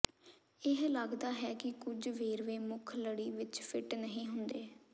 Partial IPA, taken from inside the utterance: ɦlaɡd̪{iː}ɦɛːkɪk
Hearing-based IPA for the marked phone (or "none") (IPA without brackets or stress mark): aː